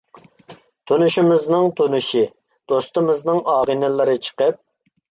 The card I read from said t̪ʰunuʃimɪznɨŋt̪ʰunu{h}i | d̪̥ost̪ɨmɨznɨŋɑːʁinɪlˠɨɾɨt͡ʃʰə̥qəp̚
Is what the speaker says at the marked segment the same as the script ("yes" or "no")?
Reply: no